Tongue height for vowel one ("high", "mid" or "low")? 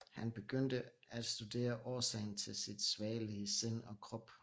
low